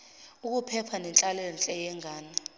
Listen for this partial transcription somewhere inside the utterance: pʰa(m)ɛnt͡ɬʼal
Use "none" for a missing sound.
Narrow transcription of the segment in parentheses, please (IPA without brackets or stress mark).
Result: n